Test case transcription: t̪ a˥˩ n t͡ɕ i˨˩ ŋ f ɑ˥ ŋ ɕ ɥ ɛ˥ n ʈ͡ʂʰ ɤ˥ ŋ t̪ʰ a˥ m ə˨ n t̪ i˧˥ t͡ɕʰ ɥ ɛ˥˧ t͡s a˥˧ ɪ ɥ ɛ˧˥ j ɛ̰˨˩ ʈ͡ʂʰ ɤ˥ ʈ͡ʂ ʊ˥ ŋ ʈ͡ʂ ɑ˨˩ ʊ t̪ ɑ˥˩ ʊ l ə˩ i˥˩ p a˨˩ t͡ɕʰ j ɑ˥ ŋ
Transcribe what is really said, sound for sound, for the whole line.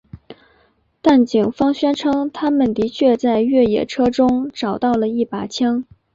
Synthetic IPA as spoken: t̪ a˥˩ n t͡ɕ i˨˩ ŋ f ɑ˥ ŋ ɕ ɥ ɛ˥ n ʈ͡ʂʰ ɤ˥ ŋ t̪ʰ a˥ m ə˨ n t̪ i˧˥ t͡ɕʰ ɥ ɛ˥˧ t͡s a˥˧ ɪ ɥ ɛ˥˩ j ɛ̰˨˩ ʈ͡ʂʰ ɤ˥ ʈ͡ʂ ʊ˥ ŋ ʈ͡ʂ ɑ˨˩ ʊ t̪ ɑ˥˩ ʊ l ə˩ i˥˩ p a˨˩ t͡ɕʰ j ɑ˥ ŋ

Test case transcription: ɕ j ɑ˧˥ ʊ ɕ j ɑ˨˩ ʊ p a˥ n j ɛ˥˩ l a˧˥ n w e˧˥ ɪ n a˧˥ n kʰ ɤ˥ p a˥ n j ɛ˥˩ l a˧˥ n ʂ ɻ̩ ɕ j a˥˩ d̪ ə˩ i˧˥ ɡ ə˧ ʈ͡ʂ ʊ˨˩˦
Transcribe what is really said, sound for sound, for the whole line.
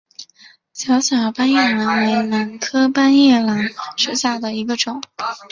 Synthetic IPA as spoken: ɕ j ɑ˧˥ ʊ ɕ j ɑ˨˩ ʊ p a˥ n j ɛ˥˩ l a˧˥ n w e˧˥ ɪ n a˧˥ n kʰ ɤ˥ p a˥ n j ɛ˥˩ l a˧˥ n ʂ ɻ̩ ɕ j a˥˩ d̪ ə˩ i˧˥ ɡ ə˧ ʈ͡ʂ ʊ˨˩˦

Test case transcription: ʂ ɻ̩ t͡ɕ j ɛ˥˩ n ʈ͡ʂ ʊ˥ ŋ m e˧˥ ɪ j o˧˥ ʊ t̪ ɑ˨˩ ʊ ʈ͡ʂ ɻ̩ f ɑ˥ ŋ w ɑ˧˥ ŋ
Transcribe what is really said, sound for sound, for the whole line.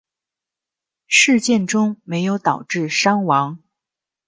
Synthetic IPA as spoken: ʂ ɻ̩ t͡ɕ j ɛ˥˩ n ʈ͡ʂ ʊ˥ ŋ m e˧˥ ɪ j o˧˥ ʊ t̪ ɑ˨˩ ʊ ʈ͡ʂ ɻ̩ ʂ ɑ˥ ŋ w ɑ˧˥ ŋ

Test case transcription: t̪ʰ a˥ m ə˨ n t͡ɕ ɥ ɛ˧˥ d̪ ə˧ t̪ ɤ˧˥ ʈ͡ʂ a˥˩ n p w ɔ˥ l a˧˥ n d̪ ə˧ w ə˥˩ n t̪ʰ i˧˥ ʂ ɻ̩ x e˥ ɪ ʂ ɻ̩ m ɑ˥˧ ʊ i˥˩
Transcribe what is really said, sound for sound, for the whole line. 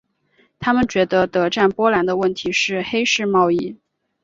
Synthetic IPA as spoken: t̪ʰ a˥ m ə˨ n t͡ɕ ɥ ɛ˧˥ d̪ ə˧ t̪ ɤ˧˥ ʈ͡ʂ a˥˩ n p w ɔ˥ l a˧˥ n d̪ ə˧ w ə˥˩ n t̪ʰ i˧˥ ʂ ɻ̩ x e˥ ɪ ʂ ɻ̩ m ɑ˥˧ ʊ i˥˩

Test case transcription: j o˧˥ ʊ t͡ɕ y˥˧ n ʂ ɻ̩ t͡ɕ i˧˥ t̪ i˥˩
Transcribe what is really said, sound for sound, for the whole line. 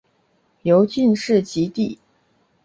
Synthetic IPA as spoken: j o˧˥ ʊ t͡ɕ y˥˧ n ʂ ɻ̩ t͡ɕ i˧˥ t̪ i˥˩

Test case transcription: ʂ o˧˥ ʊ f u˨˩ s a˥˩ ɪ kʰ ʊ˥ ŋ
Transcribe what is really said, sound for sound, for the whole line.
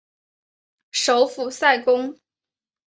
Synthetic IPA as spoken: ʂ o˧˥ ʊ f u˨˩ s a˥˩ ɪ k ʊ˥ ŋ

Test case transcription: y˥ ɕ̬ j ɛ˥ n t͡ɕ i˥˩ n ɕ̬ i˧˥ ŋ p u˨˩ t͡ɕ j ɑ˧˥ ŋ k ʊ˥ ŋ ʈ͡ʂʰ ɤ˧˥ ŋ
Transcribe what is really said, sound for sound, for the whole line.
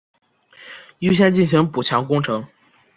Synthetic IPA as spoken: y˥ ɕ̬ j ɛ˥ n t͡ɕ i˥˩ n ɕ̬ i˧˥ ŋ p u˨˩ t͡ɕʰ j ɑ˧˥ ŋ k ʊ˥ ŋ ʈ͡ʂʰ ɤ˧˥ ŋ

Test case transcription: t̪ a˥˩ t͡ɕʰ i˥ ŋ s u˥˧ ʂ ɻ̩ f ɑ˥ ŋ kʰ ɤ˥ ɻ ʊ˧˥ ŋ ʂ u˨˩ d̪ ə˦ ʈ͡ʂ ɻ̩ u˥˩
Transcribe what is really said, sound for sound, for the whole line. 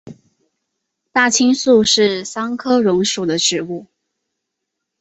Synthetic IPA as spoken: t̪ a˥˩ t͡ɕʰ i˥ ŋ s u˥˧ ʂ ɻ̩ s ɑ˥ ŋ kʰ ɤ˥ ɻ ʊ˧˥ ŋ ʂ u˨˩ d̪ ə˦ ʈ͡ʂ ɻ̩ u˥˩

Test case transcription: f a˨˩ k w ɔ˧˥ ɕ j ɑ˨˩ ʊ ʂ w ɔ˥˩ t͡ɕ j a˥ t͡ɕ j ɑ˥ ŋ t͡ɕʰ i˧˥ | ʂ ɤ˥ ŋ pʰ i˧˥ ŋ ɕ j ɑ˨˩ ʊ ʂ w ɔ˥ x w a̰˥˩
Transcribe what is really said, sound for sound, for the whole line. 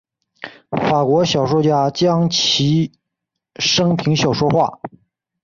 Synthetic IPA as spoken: f a˨˩ k w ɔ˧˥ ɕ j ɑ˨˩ ʊ ʂ w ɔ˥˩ t͡ɕ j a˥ t͡ɕ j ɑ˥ ŋ t͡ɕʰ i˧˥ | ʂ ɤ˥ ŋ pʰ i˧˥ ŋ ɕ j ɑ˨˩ ʊ ʂ w ɔ˥ x w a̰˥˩

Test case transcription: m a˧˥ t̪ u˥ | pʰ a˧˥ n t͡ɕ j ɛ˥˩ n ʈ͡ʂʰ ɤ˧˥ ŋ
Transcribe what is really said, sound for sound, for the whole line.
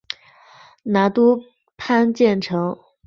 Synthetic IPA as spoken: n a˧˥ t̪ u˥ | pʰ a˥ n t͡ɕ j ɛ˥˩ n ʈ͡ʂʰ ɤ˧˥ ŋ

